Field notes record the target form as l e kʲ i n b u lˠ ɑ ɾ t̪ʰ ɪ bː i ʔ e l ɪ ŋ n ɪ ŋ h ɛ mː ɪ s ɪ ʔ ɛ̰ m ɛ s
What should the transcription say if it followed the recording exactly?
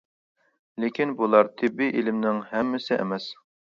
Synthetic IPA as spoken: l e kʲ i n b u lˠ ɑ ɾ t̪ʰ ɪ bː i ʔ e l ɪ m n ɪ ŋ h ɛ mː ɪ s ɪ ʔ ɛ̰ m ɛ s